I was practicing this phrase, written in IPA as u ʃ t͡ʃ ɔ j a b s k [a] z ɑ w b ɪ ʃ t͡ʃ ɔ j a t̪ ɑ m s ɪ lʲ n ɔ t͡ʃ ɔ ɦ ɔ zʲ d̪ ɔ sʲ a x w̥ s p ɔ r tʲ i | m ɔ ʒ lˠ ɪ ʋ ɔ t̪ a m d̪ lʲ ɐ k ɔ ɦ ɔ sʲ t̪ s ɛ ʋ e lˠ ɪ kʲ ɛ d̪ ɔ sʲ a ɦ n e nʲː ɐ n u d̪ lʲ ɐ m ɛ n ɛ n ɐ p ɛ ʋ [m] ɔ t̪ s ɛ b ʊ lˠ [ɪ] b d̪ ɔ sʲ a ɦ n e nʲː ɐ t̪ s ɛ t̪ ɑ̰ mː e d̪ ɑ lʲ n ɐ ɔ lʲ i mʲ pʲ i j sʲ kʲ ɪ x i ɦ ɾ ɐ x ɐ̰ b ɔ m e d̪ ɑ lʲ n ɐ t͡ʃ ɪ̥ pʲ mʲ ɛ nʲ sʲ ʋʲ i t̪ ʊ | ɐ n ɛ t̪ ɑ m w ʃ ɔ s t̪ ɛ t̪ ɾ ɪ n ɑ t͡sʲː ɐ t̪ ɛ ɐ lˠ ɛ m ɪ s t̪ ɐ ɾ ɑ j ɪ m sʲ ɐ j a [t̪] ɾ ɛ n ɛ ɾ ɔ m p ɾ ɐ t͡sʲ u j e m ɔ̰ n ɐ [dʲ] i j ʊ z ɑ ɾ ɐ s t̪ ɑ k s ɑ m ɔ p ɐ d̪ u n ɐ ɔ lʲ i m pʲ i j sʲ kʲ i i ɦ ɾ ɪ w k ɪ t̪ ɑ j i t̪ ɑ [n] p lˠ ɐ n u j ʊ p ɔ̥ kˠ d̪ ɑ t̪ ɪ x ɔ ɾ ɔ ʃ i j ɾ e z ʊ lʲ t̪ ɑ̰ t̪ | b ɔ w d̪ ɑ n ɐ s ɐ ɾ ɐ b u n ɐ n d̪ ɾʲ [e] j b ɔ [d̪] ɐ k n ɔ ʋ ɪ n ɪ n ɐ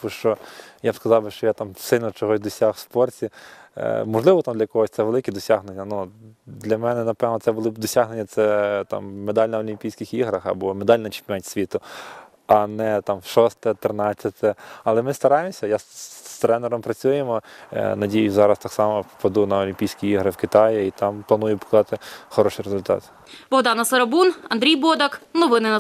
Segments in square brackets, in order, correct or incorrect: incorrect: ɐ, incorrect: n, correct, correct, correct, incorrect: m, incorrect: i, correct

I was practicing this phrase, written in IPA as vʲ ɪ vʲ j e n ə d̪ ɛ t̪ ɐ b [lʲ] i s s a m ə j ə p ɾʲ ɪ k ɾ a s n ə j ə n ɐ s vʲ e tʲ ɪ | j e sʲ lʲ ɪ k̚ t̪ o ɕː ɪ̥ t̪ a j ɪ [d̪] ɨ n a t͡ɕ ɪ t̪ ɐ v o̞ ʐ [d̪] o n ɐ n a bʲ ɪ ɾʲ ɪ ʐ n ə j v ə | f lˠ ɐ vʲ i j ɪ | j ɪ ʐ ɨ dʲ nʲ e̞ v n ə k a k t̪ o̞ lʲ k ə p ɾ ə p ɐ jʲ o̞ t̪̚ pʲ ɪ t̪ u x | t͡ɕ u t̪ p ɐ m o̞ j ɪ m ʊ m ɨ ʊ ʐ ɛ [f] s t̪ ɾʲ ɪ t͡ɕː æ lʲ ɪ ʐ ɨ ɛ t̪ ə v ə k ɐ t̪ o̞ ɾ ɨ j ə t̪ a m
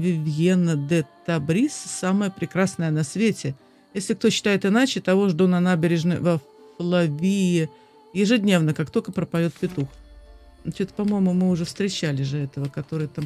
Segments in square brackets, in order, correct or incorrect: incorrect: ɾʲ, incorrect: t̪, correct, correct

